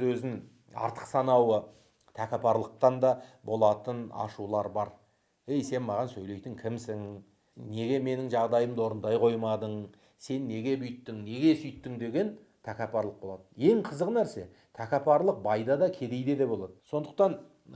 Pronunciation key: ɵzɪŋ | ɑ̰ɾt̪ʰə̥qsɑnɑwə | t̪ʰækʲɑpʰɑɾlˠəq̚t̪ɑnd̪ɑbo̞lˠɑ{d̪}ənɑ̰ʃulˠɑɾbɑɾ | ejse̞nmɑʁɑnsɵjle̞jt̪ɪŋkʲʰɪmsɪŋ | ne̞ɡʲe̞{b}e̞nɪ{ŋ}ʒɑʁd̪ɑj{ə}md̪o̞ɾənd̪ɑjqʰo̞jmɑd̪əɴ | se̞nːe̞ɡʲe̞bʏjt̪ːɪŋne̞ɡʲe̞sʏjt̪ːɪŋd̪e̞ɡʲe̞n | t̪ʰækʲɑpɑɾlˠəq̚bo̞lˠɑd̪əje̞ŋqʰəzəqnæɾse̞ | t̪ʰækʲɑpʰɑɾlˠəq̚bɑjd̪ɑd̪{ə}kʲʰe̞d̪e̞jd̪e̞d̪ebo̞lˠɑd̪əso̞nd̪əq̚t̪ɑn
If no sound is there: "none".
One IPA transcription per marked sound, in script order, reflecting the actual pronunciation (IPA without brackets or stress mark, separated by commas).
t̪, m, ŋ, ə, ɑ